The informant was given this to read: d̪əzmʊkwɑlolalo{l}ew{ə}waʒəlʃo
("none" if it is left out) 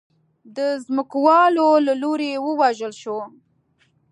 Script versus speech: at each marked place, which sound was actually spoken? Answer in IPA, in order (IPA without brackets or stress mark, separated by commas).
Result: ɾ, ə